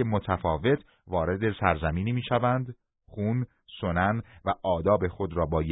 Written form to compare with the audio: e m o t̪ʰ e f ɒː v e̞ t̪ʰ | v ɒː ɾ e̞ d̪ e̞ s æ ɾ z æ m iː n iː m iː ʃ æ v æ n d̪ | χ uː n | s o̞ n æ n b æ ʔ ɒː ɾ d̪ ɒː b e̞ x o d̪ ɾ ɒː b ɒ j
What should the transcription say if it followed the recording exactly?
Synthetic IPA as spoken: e m o t̪ʰ æ f ɒː v e̞ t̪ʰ | v ɒː ɾ e̞ d̪ e̞ s æ ɾ z æ m iː n iː m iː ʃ æ v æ n d̪ | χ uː n | s o̞ n æ n v æ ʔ ɒː d̪ ɒː b e̞ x o d̪ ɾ ɒː b ɒː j